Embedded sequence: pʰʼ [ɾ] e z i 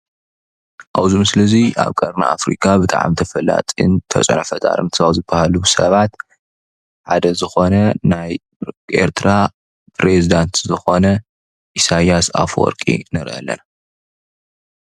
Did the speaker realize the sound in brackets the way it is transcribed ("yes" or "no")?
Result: yes